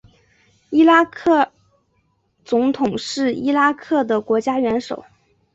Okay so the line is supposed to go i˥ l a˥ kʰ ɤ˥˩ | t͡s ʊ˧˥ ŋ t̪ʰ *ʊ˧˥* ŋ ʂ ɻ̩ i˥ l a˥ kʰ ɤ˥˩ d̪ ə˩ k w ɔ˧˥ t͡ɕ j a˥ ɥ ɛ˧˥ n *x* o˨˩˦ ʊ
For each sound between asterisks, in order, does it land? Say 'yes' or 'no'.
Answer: no, no

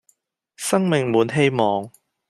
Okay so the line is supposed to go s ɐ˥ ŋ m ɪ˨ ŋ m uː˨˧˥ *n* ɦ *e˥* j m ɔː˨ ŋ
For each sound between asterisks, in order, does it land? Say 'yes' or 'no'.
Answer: yes, yes

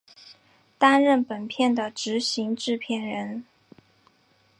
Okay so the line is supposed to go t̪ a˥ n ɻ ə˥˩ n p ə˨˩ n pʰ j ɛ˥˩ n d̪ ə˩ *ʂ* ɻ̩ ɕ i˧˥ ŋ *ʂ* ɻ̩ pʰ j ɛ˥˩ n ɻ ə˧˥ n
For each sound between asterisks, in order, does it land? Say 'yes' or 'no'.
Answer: no, no

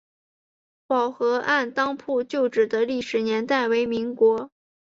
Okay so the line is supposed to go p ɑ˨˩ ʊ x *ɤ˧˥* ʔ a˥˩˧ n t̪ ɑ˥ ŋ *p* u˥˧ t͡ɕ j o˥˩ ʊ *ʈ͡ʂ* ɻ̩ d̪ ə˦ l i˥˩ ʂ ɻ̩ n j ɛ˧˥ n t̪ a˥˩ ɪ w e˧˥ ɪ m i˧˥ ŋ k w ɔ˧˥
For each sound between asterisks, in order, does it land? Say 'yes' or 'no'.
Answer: yes, no, yes

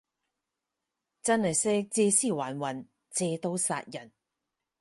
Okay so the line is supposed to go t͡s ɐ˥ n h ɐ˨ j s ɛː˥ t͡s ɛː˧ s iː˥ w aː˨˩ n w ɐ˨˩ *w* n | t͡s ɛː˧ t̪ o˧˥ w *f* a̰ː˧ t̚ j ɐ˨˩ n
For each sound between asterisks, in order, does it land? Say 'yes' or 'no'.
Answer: no, no

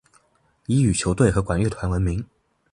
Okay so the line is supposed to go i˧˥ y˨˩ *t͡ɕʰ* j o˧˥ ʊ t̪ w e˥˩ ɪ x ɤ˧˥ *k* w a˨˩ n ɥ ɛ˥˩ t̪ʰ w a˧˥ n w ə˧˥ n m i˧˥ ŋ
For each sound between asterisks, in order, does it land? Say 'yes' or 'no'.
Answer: yes, yes

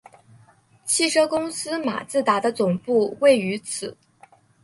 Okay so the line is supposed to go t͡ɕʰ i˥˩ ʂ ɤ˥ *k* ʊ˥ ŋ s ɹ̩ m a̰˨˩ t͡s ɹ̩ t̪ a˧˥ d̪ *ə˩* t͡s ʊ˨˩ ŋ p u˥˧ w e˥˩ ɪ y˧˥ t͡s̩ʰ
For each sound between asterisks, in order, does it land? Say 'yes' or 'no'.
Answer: yes, no

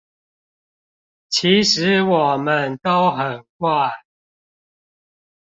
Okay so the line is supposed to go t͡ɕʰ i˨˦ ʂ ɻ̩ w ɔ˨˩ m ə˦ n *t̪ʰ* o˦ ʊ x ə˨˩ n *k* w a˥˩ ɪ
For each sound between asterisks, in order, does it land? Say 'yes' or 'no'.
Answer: no, yes

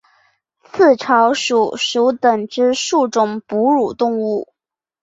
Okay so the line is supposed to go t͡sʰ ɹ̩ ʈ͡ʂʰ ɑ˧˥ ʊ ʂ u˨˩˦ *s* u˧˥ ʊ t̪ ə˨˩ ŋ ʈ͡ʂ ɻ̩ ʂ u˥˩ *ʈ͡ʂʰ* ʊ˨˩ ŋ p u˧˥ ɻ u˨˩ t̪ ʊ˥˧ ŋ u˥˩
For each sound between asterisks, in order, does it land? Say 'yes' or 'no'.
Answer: no, no

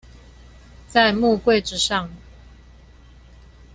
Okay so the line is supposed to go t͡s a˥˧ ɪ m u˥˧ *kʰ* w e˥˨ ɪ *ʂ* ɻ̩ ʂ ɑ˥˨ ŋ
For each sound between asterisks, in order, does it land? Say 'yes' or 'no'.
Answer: no, no

